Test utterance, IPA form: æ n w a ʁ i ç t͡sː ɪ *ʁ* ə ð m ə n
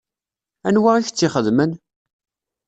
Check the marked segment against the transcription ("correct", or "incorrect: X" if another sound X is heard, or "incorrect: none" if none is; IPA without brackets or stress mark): incorrect: χ